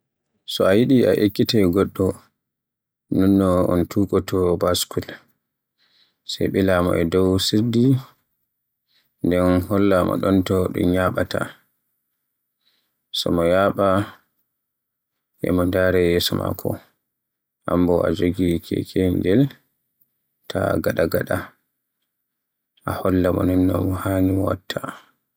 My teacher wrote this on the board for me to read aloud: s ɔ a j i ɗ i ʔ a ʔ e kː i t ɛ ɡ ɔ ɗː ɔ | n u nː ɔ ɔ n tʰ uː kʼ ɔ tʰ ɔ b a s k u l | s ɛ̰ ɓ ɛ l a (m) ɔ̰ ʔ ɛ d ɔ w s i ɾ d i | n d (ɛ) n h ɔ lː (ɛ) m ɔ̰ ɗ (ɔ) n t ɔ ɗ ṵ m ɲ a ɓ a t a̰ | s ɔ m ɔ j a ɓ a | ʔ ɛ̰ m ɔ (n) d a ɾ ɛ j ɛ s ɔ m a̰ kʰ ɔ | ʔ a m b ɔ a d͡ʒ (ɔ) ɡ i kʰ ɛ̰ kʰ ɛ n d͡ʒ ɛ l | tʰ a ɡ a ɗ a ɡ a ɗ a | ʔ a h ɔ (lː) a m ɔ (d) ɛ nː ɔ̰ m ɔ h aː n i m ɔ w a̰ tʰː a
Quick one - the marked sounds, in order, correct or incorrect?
correct, correct, incorrect, correct, correct, incorrect, correct, incorrect

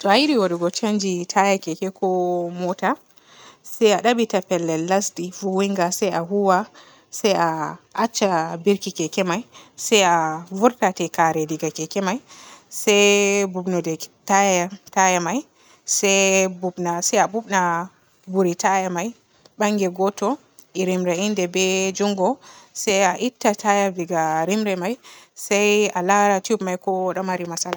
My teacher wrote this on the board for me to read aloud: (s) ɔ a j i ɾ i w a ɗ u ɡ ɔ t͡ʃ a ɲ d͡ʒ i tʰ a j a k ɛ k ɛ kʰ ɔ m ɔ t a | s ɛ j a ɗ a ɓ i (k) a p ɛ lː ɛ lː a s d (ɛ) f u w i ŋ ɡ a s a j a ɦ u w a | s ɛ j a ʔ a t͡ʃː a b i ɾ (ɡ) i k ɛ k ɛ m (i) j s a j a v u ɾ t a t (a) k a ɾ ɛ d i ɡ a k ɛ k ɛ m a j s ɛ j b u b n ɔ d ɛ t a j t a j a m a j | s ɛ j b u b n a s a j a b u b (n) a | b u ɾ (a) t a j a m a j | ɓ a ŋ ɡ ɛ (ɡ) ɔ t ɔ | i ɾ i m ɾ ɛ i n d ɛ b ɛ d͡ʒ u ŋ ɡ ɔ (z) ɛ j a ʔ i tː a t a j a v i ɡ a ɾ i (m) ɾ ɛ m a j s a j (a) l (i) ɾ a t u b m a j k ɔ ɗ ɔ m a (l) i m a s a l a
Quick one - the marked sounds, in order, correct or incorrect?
incorrect, incorrect, incorrect, incorrect, incorrect, incorrect, correct, incorrect, correct, incorrect, correct, correct, incorrect, incorrect

